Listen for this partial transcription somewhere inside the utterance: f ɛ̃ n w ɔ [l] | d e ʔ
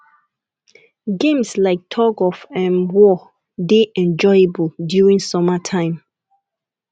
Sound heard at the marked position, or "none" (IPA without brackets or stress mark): none